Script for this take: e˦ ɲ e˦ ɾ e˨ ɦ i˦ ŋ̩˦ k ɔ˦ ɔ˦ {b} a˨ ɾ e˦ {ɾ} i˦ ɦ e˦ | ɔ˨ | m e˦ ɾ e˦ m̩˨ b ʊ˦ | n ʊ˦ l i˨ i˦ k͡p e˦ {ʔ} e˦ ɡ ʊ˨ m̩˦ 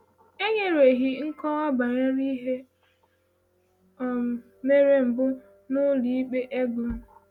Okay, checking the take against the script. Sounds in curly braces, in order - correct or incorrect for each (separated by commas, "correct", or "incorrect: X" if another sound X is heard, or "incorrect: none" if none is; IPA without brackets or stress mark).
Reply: correct, correct, correct